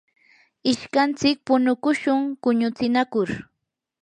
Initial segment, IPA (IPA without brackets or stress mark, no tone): ɪ